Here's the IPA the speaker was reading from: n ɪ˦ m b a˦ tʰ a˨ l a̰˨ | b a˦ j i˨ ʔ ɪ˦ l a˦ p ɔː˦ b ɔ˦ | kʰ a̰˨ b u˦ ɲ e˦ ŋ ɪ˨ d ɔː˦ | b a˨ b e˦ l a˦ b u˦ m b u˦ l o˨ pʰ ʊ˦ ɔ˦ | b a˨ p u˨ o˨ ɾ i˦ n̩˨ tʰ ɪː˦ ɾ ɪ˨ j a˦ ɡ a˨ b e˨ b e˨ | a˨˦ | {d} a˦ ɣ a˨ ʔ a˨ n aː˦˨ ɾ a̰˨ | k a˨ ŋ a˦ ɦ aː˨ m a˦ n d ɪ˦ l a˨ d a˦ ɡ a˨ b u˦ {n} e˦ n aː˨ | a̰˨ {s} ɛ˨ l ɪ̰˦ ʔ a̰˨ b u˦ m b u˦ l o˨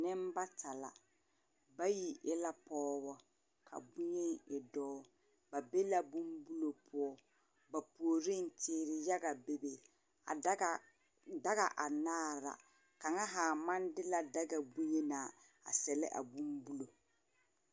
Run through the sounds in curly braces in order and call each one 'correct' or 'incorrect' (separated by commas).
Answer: correct, incorrect, correct